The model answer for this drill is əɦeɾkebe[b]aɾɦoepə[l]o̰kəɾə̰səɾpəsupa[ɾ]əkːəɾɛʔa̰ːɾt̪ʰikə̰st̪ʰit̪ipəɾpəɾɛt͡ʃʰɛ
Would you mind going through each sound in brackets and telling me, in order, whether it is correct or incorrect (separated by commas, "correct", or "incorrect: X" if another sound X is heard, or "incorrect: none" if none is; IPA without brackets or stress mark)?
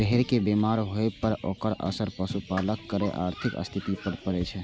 incorrect: m, incorrect: ɾ, incorrect: l